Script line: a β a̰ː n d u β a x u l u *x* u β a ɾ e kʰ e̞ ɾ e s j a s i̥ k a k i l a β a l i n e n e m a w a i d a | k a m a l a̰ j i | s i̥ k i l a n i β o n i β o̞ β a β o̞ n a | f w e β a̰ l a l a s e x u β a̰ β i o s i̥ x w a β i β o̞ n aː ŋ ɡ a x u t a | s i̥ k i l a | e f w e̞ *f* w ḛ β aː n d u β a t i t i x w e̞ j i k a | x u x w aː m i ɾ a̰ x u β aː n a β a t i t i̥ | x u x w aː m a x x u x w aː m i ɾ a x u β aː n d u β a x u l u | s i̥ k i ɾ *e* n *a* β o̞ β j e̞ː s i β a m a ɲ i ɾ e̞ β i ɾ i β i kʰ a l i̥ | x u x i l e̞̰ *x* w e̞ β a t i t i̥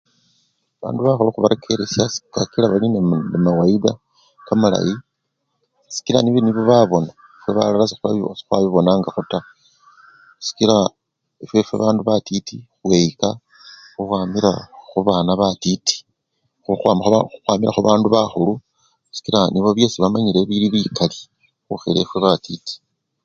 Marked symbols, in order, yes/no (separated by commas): yes, yes, no, no, no